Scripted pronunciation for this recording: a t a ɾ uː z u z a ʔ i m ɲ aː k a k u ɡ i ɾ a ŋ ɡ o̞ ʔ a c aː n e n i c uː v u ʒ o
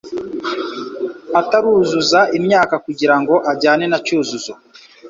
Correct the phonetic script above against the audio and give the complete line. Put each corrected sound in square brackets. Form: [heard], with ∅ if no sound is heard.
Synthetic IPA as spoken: a t a ɾ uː z u z a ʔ i m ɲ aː k a k u [ɟ] i ɾ a ŋ ɡ o̞ ʔ a [ɟ] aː n e n [a] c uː [z] u [z] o